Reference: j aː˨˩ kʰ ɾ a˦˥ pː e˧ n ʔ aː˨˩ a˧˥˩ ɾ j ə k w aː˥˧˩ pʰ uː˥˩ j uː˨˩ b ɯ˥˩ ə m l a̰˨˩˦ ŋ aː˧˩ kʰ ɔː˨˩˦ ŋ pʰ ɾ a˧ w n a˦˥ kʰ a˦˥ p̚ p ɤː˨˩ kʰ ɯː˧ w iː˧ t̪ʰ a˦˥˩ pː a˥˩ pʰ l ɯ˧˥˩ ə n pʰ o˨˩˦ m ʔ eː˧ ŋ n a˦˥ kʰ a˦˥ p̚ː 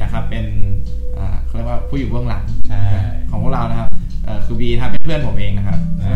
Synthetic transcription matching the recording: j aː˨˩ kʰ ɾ a˦˥ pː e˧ n ʔ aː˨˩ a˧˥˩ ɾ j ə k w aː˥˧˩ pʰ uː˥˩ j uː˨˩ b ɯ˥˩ ə ŋ l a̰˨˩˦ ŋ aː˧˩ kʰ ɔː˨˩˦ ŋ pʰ ɾ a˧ w n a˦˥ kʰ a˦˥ p̚ ʔ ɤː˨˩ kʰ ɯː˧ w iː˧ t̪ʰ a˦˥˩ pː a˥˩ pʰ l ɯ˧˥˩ ə n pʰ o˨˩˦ m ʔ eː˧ ŋ n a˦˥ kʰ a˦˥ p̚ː